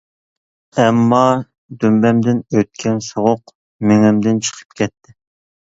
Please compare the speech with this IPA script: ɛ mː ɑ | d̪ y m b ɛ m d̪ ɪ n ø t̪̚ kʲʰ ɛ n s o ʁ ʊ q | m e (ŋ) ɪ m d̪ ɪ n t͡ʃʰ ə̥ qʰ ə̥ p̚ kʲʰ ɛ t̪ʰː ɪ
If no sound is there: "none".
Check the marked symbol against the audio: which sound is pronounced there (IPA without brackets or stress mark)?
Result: ŋ